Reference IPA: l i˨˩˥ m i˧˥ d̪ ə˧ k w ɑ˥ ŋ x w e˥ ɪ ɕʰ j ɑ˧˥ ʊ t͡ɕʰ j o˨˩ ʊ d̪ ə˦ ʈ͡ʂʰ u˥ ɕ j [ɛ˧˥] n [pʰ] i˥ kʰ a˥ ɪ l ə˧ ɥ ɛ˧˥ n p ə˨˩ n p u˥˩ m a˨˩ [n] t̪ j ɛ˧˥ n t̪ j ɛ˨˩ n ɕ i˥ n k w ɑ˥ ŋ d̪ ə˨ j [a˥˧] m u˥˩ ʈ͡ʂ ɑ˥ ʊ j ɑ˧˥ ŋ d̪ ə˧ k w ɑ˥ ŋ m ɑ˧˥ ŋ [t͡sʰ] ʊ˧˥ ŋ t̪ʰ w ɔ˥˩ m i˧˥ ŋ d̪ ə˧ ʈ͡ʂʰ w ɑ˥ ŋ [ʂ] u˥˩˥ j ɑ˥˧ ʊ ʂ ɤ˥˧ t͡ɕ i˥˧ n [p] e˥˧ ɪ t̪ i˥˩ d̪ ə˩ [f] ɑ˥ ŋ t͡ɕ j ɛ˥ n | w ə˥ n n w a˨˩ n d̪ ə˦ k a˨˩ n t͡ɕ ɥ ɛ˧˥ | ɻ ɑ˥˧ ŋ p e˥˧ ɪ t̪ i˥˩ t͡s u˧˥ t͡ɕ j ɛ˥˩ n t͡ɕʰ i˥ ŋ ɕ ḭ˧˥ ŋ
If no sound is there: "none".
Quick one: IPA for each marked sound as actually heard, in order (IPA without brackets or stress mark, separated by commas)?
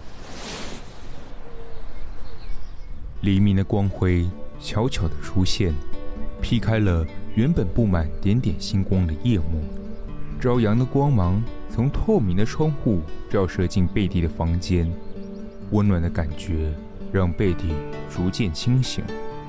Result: ɛ˥˩, pʰ, n, ɛ˥˧, t͡sʰ, x, p, f